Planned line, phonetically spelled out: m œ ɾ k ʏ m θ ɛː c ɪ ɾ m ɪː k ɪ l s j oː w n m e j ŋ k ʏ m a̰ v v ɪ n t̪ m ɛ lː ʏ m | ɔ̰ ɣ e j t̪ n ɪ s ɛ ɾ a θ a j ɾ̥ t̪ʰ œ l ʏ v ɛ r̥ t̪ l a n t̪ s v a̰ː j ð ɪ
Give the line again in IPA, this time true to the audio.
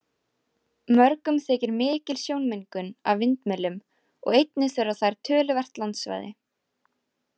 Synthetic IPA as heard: m œ ɾ k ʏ m θ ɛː c ɪ ɾ m ɪː c ɪ l s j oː w n m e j ŋ k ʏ n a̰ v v ɪ n t̪ m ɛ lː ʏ m | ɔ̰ ɣ e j t̪ n ɪ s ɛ ɾ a θ a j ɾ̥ t̪ʰ œː l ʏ v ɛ r̥ t̪ l a n t̪ s v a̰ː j ð ɪ